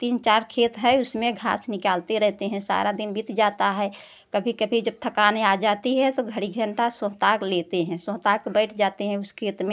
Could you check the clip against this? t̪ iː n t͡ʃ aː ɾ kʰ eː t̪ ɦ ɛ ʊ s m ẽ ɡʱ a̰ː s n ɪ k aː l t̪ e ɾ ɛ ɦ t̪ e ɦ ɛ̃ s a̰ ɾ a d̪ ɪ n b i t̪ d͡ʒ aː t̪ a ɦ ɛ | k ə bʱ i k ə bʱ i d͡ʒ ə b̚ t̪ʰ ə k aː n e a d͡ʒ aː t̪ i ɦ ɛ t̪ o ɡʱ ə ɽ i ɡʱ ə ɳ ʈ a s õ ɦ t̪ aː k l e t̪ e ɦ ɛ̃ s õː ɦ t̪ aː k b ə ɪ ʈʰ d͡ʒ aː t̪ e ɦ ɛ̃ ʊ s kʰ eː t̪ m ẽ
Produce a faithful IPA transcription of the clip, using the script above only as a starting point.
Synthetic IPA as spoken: t̪ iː n t͡ʃ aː ɾ kʰ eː t̪ ɦ ɛ ʊ s m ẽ ɡʱ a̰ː s n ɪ k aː l t̪ e ɾ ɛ ɦ t̪ e ɦ ɛ̃ s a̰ ɾ a d̪ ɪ n b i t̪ d͡ʒ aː t̪ a ɦ ɛ | k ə bʱ i k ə bʱ i d͡ʒ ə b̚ t̪ʰ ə k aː n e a d͡ʒ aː t̪ i ɦ ɛ t̪ o ɡʱ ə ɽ i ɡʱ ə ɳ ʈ a s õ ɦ t̪ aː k l e t̪ e ɦ ɛ̃ s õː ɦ t̪ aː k b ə ɪ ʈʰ d͡ʒ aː t̪ e ɦ ɛ̃ ʊ s kʰ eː t̪ m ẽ